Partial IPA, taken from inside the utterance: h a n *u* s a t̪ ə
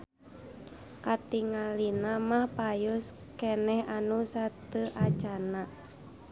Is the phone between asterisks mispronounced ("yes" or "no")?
no